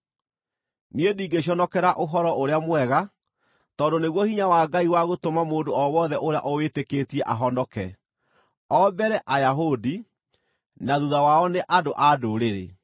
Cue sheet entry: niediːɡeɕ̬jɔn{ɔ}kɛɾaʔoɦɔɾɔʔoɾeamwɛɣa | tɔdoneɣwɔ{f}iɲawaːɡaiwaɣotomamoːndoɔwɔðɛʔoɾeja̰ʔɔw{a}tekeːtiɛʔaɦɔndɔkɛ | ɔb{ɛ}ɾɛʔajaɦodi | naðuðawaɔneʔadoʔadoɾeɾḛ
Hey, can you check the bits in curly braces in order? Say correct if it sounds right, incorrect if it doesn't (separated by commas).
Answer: correct, incorrect, incorrect, correct